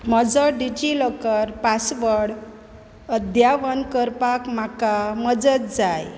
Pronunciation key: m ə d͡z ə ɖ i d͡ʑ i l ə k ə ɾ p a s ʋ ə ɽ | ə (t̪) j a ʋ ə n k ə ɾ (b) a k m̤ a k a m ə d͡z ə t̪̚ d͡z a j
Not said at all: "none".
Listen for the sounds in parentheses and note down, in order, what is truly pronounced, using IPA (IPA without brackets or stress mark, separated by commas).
d̪, p